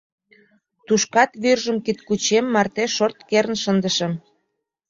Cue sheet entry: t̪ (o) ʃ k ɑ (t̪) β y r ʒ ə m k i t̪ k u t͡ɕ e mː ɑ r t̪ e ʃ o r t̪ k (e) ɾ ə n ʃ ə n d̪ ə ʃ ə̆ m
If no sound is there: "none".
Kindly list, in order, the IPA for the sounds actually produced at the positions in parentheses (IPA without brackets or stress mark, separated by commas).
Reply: u, t̪, e